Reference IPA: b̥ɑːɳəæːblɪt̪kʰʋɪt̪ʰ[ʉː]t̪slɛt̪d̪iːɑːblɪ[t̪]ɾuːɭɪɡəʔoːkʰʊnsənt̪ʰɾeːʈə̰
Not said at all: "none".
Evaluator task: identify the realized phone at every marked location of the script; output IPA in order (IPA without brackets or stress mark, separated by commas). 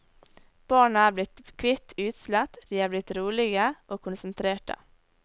ʉː, t̪